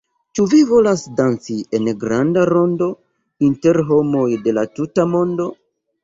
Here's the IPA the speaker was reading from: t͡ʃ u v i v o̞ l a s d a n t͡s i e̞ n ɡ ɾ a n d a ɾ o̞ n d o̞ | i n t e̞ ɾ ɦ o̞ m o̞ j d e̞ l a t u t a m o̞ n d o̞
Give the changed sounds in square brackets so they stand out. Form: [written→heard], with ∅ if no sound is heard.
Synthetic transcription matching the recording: t͡ʃ u v i v o̞ l a s d a n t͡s i e̞ n ɡ ɾ a n d a ɾ o̞ n d o̞ | i n t e̞ ɾ ɦ o̞ m o̞ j d e̞ l a t u t a m o̞ n d o̞